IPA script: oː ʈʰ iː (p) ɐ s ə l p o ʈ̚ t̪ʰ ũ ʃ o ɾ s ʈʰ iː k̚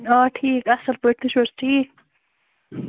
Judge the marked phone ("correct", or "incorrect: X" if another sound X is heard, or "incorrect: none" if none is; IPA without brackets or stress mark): incorrect: k